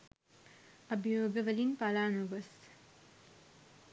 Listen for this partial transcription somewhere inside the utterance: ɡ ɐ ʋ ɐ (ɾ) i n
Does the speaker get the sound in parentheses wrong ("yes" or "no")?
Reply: yes